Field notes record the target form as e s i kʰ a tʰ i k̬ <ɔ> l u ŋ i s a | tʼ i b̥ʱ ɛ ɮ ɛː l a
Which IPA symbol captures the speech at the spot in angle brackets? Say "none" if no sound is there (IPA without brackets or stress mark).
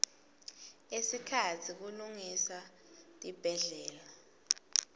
u